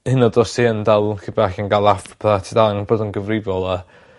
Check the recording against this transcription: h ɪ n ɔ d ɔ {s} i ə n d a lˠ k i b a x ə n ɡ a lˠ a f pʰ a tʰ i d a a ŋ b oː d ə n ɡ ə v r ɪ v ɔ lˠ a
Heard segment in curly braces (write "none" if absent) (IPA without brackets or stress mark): s